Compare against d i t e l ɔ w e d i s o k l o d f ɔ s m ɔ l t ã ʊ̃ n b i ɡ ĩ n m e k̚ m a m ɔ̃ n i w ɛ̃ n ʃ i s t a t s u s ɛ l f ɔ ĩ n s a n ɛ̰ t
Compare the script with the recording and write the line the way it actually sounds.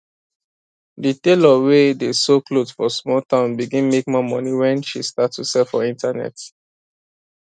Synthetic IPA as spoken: d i t e l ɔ w e d e s o k l o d f ɔ s m ɔ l t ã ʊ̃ n b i ɡ ĩ n m e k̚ m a m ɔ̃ n i w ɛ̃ n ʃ i s t a t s u s ɛ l f ɔ ĩ n t a n ɛ̰ t